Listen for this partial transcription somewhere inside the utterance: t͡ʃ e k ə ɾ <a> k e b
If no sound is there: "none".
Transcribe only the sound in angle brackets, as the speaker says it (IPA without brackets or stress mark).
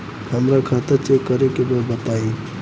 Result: e